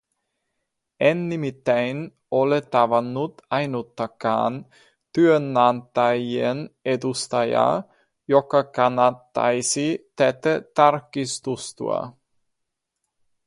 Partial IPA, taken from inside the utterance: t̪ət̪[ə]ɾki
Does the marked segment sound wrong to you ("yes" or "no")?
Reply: yes